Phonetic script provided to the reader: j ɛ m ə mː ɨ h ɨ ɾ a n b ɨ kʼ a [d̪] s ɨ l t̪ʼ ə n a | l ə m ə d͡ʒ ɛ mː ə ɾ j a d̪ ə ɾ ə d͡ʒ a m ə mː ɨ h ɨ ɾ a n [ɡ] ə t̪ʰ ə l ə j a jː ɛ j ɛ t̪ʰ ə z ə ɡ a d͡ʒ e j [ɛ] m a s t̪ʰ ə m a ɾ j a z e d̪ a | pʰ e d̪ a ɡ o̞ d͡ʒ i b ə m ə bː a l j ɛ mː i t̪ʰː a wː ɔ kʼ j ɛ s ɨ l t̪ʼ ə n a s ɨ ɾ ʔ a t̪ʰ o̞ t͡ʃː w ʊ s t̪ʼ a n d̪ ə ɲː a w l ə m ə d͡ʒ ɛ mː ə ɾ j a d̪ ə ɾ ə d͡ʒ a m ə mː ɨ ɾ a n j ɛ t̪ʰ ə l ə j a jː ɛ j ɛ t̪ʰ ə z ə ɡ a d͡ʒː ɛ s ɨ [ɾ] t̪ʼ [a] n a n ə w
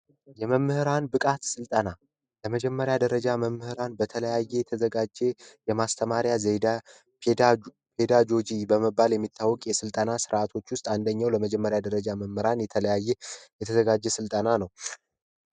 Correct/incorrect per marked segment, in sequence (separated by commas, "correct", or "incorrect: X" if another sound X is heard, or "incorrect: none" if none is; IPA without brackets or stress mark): incorrect: t̪, incorrect: b, correct, incorrect: l, incorrect: ə